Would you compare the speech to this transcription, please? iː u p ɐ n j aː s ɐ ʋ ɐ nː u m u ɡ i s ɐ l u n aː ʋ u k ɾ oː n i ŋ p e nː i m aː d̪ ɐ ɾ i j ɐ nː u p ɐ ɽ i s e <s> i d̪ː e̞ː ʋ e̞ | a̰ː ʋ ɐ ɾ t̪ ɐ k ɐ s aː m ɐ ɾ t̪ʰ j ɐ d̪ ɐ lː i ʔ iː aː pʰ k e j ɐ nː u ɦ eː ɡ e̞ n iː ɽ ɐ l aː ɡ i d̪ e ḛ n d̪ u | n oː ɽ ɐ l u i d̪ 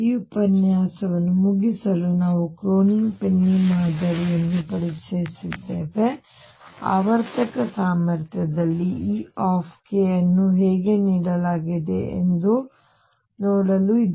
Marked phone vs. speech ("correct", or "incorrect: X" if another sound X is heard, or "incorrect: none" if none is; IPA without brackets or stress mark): correct